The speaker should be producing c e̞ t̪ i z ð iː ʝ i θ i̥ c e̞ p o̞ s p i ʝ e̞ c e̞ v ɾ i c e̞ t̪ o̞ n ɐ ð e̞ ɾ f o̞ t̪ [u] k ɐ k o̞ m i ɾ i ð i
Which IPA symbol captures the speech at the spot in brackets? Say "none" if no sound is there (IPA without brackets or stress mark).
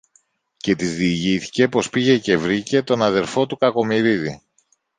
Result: u